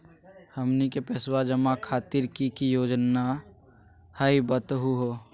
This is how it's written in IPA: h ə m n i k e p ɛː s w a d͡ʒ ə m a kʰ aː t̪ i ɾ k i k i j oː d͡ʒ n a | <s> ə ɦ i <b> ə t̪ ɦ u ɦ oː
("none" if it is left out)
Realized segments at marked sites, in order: h, b

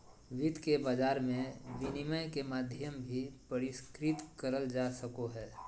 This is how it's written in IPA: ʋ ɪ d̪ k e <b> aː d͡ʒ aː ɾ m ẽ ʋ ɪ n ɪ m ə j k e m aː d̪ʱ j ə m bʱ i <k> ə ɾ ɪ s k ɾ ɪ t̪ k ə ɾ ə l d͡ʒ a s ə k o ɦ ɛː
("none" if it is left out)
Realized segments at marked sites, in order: b, p

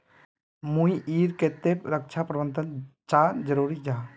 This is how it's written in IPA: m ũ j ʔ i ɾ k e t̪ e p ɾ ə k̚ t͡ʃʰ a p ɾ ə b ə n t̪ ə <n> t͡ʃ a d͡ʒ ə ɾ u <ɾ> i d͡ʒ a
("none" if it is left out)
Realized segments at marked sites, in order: n, ɾ

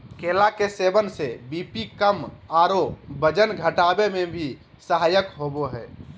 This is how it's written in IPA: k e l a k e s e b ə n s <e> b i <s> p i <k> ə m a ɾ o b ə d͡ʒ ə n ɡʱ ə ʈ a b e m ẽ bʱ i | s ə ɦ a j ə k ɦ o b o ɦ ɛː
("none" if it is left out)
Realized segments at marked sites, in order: e, none, k

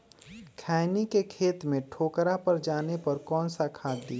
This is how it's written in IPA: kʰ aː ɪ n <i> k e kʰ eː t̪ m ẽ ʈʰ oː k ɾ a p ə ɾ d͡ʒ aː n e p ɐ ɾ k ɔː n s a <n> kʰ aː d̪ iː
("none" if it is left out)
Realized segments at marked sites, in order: i, none

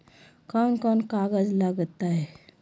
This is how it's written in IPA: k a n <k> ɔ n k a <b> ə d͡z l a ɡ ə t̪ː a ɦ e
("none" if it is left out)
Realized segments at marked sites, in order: k, ɡ

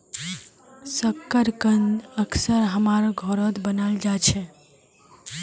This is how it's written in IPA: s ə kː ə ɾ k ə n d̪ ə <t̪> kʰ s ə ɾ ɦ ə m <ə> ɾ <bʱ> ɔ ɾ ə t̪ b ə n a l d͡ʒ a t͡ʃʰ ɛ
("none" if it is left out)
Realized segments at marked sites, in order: none, a, ɡʱ

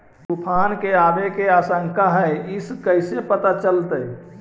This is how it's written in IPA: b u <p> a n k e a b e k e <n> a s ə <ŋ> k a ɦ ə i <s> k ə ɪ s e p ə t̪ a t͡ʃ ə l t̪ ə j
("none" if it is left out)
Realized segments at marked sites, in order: pʰ, none, ŋ, s

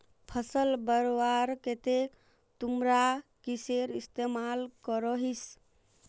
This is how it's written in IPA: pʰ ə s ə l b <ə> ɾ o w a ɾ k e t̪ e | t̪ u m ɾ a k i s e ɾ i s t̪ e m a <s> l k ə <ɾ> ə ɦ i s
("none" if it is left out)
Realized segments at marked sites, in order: ə, none, ɾ

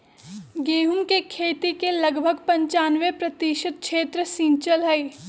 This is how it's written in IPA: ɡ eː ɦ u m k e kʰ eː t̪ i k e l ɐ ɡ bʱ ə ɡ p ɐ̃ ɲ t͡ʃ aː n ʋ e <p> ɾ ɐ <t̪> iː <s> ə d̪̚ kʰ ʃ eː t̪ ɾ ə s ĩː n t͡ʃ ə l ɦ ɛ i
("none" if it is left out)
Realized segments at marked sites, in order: p, t̪, ʃ

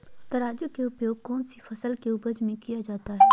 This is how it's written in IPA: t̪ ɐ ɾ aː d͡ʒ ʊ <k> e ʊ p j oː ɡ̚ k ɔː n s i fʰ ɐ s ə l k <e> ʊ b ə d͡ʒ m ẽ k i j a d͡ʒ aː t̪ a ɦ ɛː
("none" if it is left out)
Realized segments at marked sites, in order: k, e

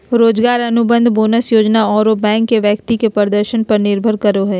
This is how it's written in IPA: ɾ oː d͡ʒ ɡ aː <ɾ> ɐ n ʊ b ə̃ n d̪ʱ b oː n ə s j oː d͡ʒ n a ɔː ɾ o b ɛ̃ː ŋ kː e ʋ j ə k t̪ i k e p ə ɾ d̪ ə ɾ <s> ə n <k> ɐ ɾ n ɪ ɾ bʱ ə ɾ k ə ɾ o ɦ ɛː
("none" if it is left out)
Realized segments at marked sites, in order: ɾ, ʃ, p

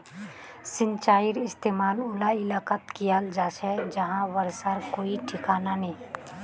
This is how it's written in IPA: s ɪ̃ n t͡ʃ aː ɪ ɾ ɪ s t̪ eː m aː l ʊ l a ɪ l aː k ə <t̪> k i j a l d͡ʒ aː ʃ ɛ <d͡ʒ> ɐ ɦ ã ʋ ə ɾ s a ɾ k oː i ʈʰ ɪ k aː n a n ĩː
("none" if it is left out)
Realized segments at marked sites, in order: t̪, d͡ʒ

